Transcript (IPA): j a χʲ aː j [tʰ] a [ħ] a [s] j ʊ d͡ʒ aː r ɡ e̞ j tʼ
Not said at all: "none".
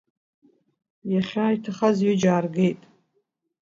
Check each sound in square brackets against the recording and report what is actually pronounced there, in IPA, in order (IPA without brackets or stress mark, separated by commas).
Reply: tʰ, χ, z